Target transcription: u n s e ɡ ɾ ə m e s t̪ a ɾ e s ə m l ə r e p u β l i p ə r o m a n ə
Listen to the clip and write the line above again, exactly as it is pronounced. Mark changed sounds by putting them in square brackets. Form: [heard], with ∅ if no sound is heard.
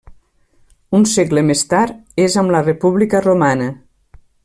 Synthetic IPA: u n s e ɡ [l] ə m e s t̪ a ɾ e [z] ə m l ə r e p u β l i [k] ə r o m a n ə